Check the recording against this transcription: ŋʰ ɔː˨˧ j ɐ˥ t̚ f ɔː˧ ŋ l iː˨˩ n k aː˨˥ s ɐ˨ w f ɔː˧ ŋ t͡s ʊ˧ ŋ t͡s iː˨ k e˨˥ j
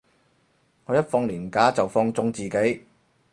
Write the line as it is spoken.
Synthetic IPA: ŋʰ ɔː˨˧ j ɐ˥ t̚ f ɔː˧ ŋ l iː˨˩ n k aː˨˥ t͡s ɐ˨ w f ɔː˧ ŋ t͡s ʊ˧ ŋ t͡s iː˨ k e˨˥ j